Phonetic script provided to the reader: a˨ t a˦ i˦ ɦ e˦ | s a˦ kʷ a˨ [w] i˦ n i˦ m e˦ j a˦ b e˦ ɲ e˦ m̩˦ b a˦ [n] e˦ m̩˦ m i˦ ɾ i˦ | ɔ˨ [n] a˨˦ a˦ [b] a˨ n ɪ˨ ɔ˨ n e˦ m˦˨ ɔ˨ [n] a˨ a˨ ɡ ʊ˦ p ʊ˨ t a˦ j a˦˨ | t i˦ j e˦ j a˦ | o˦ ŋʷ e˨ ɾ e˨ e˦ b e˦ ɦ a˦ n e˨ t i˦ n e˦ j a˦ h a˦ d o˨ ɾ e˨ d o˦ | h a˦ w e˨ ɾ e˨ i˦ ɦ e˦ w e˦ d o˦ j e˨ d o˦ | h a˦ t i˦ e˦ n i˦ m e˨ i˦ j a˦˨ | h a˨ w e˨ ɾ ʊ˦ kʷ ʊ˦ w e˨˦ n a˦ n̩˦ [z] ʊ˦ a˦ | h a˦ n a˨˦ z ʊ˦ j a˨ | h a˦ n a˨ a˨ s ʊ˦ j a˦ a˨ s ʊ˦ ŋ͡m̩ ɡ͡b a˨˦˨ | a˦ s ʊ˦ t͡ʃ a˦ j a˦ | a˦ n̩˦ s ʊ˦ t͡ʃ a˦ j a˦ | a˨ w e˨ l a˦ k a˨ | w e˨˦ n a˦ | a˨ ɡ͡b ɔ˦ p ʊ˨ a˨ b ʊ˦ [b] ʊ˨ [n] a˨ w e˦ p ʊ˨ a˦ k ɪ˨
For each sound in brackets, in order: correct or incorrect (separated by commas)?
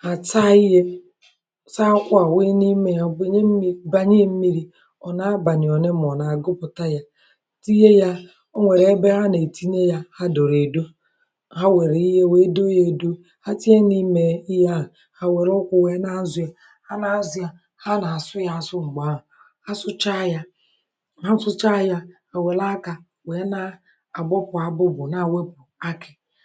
correct, incorrect, correct, correct, correct, correct, correct, correct